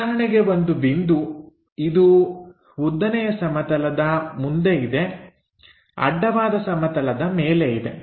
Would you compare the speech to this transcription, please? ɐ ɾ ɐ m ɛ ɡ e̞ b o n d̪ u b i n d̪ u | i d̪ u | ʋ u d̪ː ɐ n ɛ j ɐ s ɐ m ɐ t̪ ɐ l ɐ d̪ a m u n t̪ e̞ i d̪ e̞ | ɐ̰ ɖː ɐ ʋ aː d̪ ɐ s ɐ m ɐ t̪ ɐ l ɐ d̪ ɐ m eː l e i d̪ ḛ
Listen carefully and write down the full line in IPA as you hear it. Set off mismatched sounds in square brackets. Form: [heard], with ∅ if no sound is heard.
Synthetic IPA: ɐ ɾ ɐ [ɳ] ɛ ɡ e̞ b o n d̪ u b i n d̪ u | i d̪ u | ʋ u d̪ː ɐ n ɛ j ɐ s ɐ m ɐ t̪ ɐ l ɐ d̪ [ɐ] m u n [d̪] e̞ i d̪ e̞ | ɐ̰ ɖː ɐ ʋ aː d̪ ɐ s ɐ m ɐ t̪ ɐ l ɐ d̪ ɐ m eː l e i d̪ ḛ